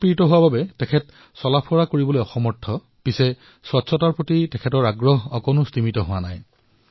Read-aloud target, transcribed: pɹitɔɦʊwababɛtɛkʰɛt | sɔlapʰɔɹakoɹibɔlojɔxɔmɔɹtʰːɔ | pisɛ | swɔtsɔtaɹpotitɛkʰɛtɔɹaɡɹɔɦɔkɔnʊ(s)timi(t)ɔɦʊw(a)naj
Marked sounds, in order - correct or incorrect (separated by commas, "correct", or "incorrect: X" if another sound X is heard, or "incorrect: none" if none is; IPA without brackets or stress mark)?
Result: correct, correct, correct